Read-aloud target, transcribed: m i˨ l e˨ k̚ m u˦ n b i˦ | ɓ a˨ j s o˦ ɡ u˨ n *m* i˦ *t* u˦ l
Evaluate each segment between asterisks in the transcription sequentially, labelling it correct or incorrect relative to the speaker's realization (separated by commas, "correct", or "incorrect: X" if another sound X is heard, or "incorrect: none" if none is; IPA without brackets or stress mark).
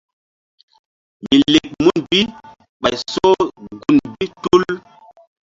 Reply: incorrect: b, correct